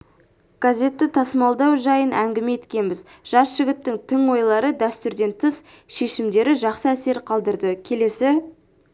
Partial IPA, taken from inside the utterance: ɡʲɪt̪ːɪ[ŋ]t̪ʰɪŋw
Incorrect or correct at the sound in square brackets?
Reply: correct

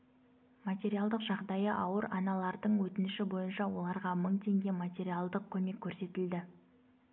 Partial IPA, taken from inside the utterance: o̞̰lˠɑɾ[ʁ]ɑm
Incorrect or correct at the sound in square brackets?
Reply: correct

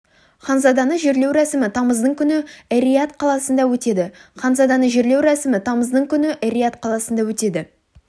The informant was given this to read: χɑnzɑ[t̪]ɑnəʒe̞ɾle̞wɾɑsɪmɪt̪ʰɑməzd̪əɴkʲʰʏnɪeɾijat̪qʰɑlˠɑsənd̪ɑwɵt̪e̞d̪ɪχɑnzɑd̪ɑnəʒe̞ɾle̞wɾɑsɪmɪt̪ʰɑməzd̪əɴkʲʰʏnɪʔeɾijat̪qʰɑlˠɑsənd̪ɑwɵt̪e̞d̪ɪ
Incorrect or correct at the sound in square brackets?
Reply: incorrect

